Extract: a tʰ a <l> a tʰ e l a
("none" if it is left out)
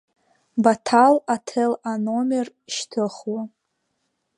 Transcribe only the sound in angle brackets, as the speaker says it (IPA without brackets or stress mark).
l